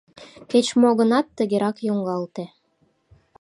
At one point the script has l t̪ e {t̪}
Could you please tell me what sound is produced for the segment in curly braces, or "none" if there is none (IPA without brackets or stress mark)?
none